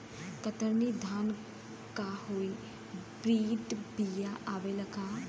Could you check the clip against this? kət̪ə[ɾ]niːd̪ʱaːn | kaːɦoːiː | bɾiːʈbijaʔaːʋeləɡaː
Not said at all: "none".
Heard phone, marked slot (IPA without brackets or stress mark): ɾ